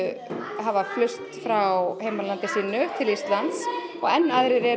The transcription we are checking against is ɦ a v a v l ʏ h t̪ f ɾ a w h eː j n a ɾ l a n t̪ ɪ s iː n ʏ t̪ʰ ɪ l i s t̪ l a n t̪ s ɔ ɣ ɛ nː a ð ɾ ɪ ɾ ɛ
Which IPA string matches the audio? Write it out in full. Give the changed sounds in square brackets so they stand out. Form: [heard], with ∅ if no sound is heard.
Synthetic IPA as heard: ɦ a v a [f] l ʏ [s] t̪ f ɾ a w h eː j [m] a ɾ l a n t̪ ɪ s iː n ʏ t̪ʰ ɪ l i s t̪ l a n t̪ s ɔ ɣ ɛ nː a ð ɾ ɪ ɾ ɛ